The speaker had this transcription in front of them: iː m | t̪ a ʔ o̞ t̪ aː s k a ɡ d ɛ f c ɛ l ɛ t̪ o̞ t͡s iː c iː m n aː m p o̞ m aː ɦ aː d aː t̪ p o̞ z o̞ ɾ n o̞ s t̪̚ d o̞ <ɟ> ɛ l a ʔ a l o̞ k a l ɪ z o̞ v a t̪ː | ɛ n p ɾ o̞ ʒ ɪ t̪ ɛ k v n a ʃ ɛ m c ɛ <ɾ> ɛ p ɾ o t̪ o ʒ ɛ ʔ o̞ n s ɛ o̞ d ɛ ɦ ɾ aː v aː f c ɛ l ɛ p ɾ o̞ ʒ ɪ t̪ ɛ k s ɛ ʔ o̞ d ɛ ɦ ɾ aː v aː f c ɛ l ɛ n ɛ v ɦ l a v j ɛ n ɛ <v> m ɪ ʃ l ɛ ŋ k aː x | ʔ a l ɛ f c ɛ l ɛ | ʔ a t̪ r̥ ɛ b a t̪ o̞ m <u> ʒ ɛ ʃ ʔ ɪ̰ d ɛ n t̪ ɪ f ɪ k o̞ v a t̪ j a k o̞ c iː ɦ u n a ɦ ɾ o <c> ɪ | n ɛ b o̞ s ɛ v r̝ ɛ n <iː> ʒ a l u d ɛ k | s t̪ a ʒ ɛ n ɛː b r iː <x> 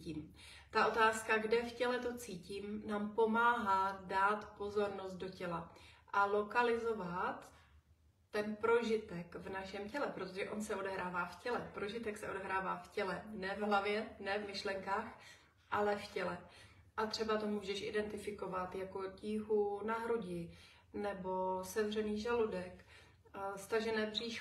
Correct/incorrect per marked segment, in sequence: incorrect, incorrect, correct, incorrect, incorrect, correct, incorrect

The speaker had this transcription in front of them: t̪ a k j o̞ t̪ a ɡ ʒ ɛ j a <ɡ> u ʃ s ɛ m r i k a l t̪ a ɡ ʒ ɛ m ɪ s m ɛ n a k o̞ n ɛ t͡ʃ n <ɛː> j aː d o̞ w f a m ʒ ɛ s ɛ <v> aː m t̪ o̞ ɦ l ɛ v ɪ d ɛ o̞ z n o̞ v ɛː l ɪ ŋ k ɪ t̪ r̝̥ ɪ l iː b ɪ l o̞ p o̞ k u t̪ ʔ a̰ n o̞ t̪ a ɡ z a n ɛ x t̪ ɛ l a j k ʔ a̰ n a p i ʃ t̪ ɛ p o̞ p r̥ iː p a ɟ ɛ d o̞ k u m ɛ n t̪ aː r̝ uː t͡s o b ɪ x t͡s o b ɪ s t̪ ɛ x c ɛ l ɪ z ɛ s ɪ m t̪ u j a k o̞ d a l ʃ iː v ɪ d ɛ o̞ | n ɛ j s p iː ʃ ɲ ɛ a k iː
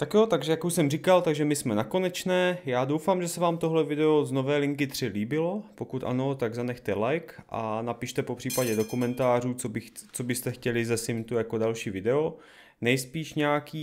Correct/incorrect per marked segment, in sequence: incorrect, correct, correct

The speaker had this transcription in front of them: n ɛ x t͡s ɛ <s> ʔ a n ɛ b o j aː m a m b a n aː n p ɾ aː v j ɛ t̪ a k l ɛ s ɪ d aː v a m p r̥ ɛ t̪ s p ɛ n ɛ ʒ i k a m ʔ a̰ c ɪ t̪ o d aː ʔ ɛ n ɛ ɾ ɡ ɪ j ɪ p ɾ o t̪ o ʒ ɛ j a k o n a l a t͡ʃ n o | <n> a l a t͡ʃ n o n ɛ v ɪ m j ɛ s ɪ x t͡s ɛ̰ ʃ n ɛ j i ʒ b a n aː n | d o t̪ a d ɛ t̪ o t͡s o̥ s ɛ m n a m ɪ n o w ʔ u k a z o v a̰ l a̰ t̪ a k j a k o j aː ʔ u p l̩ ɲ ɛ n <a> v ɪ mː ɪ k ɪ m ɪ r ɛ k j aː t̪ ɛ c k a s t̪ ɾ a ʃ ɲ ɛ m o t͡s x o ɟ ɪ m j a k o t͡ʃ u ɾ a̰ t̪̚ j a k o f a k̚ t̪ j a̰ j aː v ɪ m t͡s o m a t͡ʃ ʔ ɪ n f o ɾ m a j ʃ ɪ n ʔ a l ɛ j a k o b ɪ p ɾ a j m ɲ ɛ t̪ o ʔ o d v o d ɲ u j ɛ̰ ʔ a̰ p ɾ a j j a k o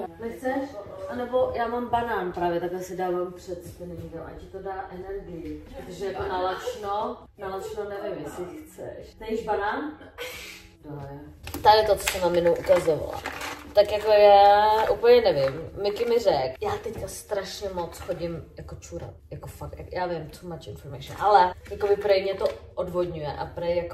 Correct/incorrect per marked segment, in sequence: incorrect, correct, incorrect

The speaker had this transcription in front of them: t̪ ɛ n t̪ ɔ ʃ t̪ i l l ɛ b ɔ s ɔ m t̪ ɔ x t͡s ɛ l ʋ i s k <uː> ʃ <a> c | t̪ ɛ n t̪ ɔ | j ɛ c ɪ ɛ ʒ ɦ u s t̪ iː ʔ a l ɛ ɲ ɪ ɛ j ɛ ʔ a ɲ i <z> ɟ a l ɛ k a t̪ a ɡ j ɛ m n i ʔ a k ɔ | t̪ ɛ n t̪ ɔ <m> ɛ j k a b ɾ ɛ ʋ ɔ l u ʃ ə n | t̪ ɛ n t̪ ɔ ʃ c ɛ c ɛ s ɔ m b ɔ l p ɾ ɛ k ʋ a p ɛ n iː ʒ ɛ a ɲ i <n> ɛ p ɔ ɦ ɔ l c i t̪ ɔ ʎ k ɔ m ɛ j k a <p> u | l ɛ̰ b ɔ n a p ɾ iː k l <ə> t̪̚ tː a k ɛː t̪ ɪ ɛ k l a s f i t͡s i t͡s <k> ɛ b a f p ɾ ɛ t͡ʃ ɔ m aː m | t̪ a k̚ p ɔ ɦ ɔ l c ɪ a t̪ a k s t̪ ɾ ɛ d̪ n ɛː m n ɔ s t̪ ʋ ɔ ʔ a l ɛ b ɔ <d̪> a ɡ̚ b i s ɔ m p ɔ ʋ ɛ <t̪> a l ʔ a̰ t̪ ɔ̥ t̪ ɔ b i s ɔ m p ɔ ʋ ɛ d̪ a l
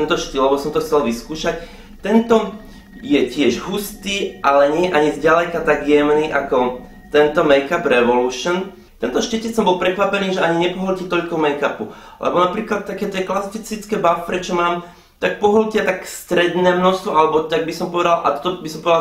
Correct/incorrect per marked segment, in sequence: correct, correct, correct, correct, incorrect, correct, incorrect, correct, incorrect, incorrect

